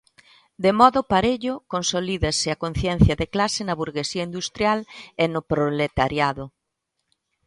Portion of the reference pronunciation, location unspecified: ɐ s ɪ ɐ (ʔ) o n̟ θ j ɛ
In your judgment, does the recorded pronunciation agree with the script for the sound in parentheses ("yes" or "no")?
no